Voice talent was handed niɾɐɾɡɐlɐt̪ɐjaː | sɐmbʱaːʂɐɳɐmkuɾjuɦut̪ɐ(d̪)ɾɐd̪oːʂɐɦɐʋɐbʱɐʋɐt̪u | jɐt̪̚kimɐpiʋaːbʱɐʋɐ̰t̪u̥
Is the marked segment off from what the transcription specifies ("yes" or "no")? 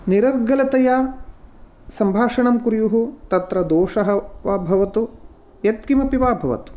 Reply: yes